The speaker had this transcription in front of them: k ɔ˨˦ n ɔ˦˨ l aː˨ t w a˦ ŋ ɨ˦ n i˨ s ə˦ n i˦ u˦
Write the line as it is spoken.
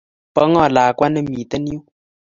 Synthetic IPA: p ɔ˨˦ ŋ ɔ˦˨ l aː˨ k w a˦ n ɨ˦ m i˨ t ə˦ n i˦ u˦